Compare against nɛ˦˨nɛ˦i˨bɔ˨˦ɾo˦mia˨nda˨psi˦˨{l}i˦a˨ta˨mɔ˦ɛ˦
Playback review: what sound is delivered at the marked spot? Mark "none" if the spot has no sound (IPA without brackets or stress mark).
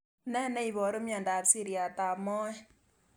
ɾ